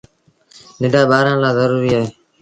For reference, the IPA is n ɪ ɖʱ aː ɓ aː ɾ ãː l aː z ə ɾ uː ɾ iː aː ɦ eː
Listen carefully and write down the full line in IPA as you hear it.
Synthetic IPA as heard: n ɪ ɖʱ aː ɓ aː ɾ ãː l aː z ə ɾ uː ɾ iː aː ɦ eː